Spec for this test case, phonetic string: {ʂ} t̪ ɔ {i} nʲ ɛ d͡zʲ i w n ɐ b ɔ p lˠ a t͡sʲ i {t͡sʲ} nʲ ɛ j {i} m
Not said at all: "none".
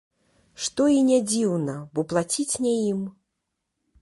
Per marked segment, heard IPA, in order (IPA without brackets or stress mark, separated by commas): ʂ, i, t͡sʲ, i